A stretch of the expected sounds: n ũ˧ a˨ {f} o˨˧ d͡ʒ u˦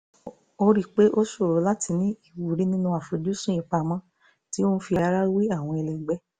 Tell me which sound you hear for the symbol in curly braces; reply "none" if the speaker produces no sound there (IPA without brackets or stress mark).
f